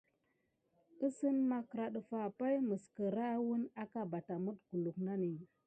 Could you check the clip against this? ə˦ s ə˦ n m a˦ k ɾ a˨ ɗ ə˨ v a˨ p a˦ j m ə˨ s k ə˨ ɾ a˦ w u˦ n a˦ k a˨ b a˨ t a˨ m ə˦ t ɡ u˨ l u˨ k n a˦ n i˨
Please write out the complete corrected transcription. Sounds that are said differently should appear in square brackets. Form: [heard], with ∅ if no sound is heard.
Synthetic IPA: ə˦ s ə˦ n m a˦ k ɾ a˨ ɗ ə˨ [f] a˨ p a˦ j m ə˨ s k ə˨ ɾ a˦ w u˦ n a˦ k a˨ b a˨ t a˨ m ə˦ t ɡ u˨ l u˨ k n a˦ n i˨